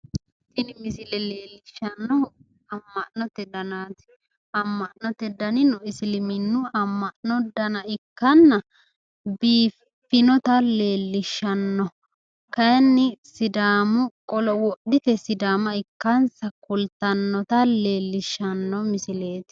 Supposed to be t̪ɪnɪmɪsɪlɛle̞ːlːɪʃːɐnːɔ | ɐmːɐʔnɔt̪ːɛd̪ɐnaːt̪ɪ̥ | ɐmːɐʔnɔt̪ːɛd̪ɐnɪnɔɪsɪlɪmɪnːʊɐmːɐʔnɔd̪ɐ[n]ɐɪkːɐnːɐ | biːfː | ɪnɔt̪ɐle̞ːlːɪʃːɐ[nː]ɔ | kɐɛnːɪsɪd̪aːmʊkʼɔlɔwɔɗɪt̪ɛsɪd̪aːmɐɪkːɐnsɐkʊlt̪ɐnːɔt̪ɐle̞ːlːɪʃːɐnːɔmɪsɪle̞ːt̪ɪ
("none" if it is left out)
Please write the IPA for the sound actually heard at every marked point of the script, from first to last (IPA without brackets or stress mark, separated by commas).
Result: n, nː